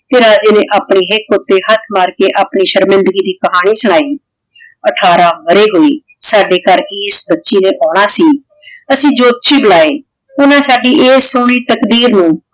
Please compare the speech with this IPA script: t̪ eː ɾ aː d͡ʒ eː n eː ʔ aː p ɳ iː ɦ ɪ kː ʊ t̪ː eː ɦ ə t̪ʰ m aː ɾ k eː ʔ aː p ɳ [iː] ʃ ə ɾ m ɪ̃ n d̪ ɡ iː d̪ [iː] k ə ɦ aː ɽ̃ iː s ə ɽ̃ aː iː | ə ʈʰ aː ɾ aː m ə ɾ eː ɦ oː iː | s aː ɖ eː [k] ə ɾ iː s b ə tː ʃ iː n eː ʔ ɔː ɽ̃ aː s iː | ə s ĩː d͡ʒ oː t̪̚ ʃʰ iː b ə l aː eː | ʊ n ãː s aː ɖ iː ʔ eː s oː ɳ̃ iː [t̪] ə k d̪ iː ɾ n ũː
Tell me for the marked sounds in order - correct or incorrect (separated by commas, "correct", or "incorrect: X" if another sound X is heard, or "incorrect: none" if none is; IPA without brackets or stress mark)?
correct, correct, correct, correct